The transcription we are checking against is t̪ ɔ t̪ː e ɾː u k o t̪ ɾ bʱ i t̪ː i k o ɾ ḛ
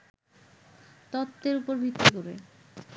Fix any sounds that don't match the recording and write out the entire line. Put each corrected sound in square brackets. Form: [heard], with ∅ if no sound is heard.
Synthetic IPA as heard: t̪ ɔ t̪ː e [ɾ] u [p] o [∅] ɾ bʱ i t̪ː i k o ɾ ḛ